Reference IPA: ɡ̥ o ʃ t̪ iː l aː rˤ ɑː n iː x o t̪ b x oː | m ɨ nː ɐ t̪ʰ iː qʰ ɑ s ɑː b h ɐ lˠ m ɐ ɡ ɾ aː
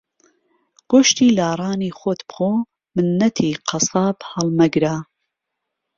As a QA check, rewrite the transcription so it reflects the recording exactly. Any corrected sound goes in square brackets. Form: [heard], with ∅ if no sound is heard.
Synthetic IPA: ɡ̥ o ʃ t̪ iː l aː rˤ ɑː n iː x o t̪ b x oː | m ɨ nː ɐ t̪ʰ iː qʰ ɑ s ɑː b h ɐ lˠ m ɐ ɡ ɾ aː